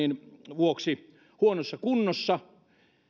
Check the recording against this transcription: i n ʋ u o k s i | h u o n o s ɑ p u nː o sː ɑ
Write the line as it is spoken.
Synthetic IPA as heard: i n ʋ u o k s i | h u o n o sː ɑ k u nː o sː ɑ